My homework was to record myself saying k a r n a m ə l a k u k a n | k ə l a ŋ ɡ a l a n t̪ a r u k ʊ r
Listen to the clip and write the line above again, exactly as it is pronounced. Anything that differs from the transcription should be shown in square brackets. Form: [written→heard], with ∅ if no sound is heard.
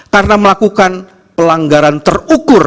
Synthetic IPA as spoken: k a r n a m ə l a k u k a n | [k→p] ə l a ŋ ɡ a [l→ɾ] a n t̪ [a→ə] r u k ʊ r

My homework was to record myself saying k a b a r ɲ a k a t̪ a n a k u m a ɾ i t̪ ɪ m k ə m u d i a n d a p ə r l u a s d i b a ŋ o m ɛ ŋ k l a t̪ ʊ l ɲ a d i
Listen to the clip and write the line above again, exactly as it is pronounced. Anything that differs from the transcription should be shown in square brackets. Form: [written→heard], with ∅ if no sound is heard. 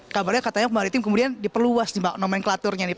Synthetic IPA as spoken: k a b a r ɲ a k a t̪ a [n→ɲ] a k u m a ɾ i t̪ ɪ m k ə m u d i a n d [a→i] p ə r l u a s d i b a [ŋ→n] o m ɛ [ŋ→n] k l a t̪ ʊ [l→r] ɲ a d i

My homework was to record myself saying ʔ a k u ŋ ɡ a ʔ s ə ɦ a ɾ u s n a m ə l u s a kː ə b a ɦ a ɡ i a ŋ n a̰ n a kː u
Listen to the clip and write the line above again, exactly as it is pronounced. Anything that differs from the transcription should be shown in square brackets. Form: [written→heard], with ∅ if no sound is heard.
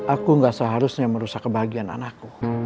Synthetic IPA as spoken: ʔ a k u ŋ ɡ a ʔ s ə ɦ a ɾ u s [n→ɲ] a m ə [l→ɾ] u s a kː ə b a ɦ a ɡ i a [ŋ→∅] n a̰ n a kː u

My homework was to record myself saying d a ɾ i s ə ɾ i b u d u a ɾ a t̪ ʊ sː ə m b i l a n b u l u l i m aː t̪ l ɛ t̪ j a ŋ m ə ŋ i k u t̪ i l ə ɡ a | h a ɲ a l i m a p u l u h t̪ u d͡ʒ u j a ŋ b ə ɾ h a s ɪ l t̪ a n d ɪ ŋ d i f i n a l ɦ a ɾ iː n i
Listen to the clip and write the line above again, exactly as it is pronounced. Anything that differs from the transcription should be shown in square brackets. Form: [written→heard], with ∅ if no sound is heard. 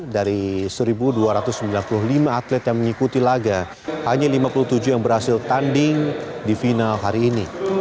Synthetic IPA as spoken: d a ɾ i s ə ɾ i b u d u a ɾ a t̪ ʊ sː ə m b i l a n [b→p] u l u l i m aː t̪ l ɛ t̪ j a ŋ m ə ŋ i k u t̪ i l [ə→a] ɡ a | h a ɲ a l i m a p u l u h t̪ u d͡ʒ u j a ŋ b ə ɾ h a s ɪ l t̪ a n d ɪ ŋ d i f i n a l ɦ a ɾ iː n i

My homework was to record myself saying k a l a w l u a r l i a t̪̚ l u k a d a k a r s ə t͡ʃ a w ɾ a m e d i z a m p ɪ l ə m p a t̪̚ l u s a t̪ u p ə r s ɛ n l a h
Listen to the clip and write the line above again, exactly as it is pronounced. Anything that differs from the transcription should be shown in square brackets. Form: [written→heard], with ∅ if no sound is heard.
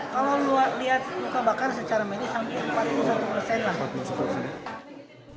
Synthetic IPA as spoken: k a l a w l u a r l i a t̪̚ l u k a [d→b] a k a r s ə t͡ʃ a [w→∅] ɾ a m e d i [z→s] a m p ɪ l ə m p a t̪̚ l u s a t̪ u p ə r s ɛ n l a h

